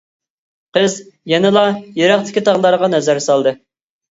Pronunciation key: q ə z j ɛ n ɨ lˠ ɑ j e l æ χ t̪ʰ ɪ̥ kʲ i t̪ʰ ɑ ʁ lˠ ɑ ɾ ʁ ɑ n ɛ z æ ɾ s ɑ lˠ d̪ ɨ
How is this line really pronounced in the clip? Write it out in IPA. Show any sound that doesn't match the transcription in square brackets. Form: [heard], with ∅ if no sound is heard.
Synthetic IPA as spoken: q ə z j ɛ n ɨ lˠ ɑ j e [ɾ] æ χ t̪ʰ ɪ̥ kʲ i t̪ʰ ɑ ʁ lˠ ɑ ɾ ʁ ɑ n ɛ z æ ɾ s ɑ lˠ d̪ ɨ